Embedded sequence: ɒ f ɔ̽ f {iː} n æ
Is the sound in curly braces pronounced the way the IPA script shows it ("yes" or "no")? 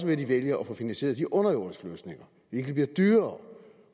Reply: no